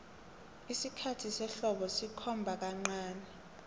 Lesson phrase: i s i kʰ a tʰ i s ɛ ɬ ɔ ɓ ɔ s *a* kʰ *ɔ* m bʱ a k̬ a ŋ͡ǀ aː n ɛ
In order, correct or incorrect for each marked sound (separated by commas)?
incorrect, correct